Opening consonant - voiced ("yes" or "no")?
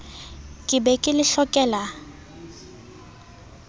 no